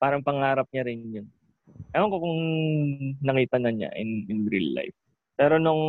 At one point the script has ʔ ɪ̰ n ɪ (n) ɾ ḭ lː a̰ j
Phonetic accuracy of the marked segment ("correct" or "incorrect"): correct